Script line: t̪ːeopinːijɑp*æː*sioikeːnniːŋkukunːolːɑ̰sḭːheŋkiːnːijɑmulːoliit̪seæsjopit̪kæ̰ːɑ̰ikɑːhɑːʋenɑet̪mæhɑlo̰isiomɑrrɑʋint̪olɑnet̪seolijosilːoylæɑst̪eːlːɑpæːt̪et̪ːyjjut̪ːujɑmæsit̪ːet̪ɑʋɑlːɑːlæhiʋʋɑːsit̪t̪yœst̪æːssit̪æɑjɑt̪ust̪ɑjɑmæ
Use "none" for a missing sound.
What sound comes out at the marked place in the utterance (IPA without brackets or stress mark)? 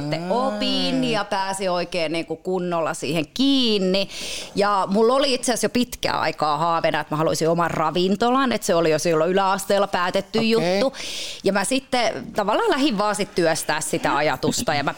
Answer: æː